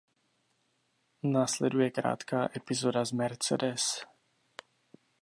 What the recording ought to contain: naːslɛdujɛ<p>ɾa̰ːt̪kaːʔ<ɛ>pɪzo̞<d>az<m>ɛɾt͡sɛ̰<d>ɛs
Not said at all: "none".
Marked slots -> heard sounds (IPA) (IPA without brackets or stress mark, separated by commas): k, ɛ, d, m, d